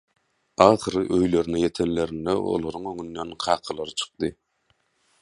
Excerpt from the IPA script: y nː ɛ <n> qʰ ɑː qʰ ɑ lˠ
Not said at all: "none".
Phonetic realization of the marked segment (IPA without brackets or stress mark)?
n